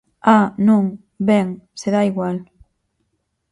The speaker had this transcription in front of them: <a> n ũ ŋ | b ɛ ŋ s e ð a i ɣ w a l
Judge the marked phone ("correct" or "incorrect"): correct